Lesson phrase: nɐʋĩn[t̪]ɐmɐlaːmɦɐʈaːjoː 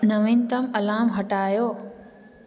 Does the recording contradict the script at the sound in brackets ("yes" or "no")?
no